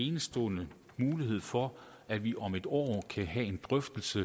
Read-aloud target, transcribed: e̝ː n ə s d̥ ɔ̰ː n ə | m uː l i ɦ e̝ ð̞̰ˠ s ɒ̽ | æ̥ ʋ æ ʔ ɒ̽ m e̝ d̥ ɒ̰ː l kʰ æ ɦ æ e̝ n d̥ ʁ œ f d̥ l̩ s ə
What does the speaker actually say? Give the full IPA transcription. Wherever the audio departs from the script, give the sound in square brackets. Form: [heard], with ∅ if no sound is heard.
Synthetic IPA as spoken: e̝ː n ə s d̥ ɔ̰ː n ə | m uː l i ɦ e̝ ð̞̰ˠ [f] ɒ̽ | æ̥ ʋ [i] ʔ ɒ̽ m e̝ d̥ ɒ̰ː [∅] kʰ æ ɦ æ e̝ n d̥ ʁ œ f d̥ l̩ s ə